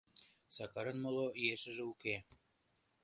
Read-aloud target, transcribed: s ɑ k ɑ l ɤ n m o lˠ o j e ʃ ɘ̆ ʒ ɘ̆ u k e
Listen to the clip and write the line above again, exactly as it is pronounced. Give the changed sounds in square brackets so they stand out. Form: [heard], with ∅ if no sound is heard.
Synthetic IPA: s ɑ k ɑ [ɾ] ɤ n m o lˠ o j e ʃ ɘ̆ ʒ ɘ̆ u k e